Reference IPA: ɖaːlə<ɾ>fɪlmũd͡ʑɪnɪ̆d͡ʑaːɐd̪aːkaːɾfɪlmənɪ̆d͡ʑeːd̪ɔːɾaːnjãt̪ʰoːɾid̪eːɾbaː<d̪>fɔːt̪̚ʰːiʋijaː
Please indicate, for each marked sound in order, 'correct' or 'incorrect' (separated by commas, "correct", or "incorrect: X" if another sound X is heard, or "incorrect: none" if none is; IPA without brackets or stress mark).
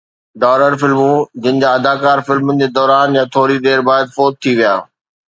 correct, correct